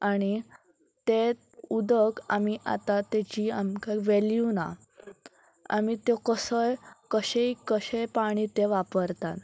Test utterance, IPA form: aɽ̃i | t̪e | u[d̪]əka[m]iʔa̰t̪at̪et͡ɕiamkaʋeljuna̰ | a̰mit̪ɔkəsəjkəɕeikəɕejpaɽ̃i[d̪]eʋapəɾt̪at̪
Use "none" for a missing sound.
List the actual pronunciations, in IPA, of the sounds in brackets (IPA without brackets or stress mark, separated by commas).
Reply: d̪, m, t̪